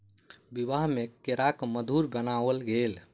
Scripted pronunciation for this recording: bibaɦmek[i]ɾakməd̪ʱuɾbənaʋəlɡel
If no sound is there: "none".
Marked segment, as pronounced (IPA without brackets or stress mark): e